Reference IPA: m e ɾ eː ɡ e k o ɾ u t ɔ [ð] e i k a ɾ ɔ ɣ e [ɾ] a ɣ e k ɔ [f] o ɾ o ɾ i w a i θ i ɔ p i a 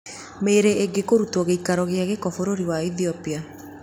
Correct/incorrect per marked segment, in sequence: incorrect: ɣ, incorrect: none, correct

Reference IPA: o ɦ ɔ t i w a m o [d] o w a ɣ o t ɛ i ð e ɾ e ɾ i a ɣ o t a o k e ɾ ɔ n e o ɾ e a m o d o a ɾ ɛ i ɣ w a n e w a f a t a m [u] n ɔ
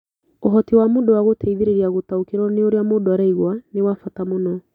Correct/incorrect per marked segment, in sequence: correct, incorrect: o

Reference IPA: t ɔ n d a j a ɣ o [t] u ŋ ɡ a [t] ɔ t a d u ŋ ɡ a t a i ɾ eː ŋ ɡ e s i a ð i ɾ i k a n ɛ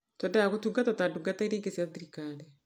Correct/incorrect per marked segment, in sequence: correct, correct

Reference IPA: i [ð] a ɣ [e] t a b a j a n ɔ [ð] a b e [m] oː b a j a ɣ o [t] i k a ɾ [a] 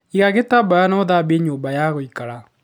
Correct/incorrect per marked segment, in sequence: incorrect: ɣ, correct, correct, incorrect: ɲ, incorrect: none, correct

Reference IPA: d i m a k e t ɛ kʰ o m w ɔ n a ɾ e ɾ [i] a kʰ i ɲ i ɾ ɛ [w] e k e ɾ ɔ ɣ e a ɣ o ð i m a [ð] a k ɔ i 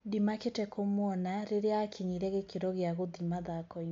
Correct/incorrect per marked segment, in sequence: incorrect: e, incorrect: ɣ, correct

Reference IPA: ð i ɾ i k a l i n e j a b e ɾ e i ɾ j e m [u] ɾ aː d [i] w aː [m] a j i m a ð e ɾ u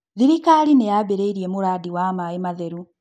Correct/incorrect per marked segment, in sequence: correct, correct, correct

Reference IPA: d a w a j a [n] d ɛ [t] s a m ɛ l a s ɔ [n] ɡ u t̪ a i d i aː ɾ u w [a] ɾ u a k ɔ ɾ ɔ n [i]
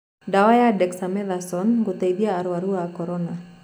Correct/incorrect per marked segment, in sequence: incorrect: none, incorrect: k, correct, correct, incorrect: a

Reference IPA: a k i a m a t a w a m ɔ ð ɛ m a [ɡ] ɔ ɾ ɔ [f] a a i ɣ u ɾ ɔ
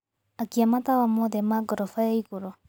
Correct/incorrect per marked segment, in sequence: correct, correct

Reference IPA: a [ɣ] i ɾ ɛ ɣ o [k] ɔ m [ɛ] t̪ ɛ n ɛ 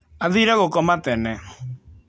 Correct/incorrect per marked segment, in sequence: incorrect: ð, correct, incorrect: a

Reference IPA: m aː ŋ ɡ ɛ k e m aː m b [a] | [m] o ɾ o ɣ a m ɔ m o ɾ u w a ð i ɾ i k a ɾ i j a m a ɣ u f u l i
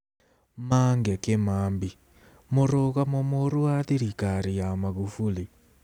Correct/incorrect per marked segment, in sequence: incorrect: i, correct

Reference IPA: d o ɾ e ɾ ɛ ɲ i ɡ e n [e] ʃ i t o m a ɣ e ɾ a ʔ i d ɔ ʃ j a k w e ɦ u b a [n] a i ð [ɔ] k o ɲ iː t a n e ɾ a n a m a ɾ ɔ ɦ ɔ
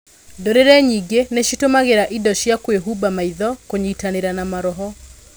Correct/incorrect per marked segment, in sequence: correct, incorrect: m, correct

